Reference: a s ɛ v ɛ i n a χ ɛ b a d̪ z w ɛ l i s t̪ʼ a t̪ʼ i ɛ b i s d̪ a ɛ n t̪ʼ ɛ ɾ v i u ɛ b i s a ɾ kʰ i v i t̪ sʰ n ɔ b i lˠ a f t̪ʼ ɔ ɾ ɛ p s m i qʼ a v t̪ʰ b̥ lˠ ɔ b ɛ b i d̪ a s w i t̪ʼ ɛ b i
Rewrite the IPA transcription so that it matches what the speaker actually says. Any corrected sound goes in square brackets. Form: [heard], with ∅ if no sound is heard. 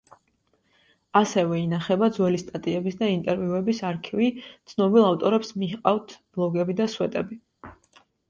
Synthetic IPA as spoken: a s ɛ v ɛ i n a χ ɛ b a d̪ z w ɛ l i s t̪ʼ a t̪ʼ i ɛ b i s d̪ a [i] n t̪ʼ ɛ ɾ v i u ɛ b i s a ɾ kʰ i v i t̪ sʰ n ɔ b i lˠ a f t̪ʼ ɔ ɾ ɛ p s m i qʼ a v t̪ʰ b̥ lˠ ɔ [ɡ] ɛ b i d̪ a s w [ɛ] t̪ʼ ɛ b i